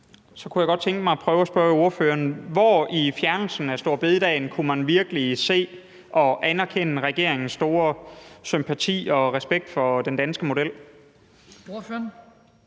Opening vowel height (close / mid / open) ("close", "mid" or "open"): open